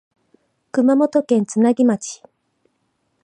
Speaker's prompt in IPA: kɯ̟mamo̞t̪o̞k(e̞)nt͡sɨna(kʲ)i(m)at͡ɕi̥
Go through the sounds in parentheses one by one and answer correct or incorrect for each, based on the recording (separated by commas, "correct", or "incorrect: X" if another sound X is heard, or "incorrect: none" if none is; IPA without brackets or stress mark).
incorrect: ẽ̞, incorrect: ɡʲ, correct